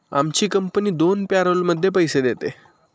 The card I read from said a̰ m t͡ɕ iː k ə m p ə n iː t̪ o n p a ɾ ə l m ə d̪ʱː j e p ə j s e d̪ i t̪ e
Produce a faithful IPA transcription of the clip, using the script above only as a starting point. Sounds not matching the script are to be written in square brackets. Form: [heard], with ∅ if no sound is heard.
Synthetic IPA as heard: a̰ m t͡ɕ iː k ə m p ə n iː [d̪] o n p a ɾ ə l m ə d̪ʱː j e p ə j s e d̪ [e] t̪ e